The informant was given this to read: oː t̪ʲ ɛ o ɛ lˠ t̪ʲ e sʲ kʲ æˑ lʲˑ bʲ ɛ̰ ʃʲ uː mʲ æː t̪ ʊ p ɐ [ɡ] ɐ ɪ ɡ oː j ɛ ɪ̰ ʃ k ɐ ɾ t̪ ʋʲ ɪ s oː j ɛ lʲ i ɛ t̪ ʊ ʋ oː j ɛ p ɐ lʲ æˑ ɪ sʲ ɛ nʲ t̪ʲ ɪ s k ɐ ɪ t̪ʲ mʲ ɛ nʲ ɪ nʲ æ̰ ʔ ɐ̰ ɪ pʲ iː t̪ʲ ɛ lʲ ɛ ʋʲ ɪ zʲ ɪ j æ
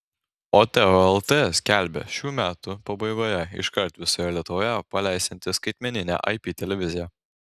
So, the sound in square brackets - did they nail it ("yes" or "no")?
no